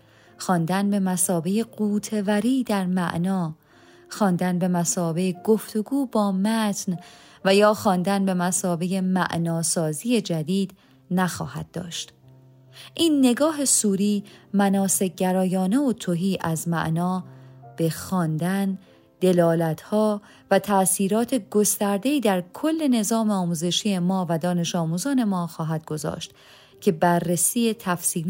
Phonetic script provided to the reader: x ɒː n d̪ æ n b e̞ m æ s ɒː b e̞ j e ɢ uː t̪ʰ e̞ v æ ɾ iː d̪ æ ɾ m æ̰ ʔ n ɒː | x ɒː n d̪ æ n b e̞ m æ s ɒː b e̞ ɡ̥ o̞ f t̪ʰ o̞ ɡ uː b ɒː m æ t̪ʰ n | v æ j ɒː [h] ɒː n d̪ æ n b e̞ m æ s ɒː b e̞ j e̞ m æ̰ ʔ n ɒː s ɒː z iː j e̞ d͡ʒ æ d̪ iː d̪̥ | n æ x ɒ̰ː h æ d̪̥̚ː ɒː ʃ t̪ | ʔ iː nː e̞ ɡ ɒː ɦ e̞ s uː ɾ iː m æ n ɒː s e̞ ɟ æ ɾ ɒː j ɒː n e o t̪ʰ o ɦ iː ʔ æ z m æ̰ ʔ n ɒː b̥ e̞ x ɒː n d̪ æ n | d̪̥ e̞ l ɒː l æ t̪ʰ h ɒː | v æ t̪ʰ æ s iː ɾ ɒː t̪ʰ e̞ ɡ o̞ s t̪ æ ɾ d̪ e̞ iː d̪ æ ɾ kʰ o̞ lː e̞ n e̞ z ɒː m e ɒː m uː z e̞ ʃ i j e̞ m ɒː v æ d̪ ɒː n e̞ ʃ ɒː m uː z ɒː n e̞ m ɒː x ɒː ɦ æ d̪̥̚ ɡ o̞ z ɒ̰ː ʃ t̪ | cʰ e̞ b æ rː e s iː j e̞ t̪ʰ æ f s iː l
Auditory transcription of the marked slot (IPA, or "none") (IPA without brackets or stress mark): x